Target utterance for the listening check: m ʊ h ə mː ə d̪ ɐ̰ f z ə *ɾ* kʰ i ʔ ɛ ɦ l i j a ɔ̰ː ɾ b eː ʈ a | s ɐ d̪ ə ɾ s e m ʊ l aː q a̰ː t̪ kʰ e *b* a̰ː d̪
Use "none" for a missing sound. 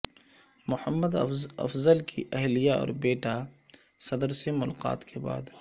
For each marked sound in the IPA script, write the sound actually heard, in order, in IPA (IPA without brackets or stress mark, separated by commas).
l, b